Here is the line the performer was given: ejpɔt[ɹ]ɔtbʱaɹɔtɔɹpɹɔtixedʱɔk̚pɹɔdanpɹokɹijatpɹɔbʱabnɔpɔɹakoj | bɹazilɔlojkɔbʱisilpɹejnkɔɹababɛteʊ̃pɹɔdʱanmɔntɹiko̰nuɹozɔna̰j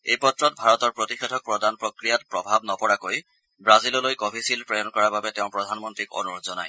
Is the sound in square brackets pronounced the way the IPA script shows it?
yes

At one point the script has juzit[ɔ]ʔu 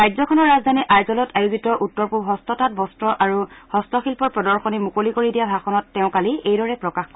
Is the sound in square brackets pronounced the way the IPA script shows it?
yes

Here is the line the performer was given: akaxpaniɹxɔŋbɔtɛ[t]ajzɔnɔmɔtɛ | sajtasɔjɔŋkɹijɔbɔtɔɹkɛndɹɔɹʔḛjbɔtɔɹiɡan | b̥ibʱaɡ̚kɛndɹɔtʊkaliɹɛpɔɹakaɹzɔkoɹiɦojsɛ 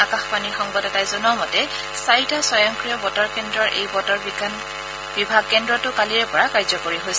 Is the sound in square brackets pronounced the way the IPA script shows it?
yes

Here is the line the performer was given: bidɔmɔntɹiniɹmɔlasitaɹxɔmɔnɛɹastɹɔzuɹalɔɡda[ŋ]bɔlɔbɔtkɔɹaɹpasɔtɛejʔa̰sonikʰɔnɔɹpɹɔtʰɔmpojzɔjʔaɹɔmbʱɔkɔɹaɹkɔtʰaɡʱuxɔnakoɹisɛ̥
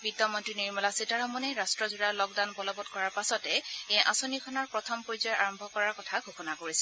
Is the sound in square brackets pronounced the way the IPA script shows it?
no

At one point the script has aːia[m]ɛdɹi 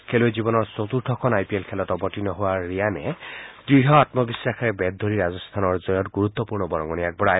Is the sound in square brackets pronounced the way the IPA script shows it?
no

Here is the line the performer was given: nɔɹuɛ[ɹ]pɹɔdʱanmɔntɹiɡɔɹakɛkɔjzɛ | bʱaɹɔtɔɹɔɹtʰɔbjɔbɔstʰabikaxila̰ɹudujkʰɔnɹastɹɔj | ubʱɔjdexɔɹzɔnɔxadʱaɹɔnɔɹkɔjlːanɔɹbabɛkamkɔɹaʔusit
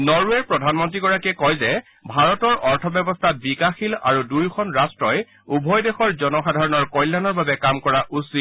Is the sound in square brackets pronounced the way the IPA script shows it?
yes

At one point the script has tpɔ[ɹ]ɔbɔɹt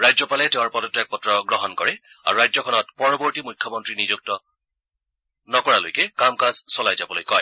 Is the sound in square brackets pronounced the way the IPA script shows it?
yes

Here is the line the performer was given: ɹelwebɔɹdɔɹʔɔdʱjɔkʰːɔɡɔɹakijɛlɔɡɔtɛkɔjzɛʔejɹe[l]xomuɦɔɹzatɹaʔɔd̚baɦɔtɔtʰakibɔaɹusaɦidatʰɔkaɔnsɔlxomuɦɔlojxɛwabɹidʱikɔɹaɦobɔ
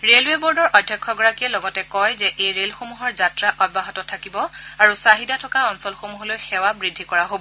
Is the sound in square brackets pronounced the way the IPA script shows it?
yes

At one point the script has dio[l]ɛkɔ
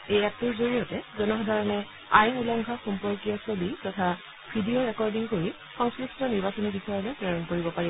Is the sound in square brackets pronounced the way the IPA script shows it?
no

